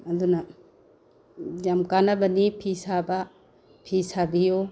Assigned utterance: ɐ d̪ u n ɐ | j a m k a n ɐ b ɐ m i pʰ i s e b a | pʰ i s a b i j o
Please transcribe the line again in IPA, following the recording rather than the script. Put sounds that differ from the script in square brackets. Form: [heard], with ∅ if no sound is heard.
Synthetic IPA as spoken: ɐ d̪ u n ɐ | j a m k a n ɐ b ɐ [n] i pʰ i s [a] b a | pʰ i s a b i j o